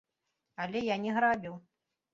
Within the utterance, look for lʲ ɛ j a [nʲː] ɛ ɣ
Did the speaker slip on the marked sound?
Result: yes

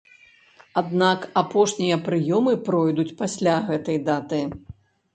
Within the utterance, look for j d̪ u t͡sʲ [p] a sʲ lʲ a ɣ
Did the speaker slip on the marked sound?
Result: no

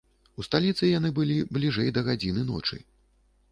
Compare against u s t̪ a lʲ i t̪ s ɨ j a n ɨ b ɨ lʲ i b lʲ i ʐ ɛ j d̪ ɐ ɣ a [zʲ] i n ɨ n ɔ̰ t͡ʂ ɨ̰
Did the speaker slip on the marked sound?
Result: yes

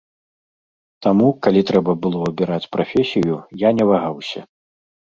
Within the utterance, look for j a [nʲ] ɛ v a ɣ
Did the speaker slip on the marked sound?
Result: no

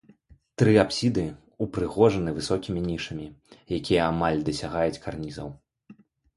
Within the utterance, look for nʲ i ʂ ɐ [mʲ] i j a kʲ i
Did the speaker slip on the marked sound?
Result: no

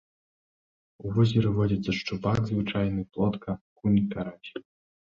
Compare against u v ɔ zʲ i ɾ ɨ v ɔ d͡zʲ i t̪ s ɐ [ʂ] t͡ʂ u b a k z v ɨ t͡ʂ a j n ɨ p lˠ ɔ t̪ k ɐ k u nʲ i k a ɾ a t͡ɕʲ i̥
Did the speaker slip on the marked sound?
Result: no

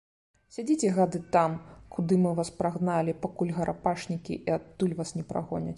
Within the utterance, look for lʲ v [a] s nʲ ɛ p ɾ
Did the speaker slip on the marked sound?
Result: no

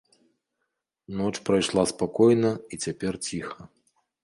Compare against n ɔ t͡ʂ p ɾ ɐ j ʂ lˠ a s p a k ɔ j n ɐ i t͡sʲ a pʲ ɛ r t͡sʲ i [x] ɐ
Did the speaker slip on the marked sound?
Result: no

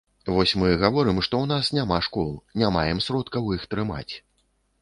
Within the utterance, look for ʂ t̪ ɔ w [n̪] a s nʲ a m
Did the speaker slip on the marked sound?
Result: no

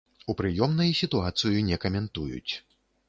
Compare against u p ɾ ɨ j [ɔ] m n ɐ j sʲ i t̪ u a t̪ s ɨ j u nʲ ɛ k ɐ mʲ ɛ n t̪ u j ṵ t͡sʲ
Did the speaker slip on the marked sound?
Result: no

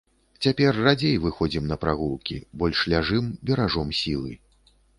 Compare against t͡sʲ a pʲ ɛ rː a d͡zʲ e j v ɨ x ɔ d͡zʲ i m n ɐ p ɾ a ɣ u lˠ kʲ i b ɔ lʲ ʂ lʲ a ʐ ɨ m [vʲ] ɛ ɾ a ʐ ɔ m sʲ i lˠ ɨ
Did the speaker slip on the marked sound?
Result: yes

